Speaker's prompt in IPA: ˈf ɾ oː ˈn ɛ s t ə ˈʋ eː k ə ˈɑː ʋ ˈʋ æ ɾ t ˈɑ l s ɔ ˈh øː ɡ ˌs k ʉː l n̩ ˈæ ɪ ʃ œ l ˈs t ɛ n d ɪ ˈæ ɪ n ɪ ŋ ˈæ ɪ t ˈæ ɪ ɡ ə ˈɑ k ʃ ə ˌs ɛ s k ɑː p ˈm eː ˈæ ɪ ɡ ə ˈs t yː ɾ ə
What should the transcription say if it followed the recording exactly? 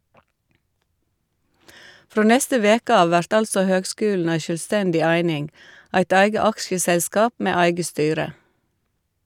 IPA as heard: ˈf ɾ oː ˈn ɛ s t ə ˈʋ eː k ə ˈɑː ʋ ˈʋ æ ɾ t ˈɑ l s ɔ ˈh øː ɡ ˌs k ʉː l n̩ ˈæ ɪ ʃ œ l ˈs t ɛ n d ɪ ˈæ ɪ n ɪ ŋ ˈæ ɪ t ˈæ ɪ ɡ ə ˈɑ k ʃ ə ˌs ɛ s k ɑː p ˈm eː ˈæ ɪ ɡ ə ˈs t yː ɾ ə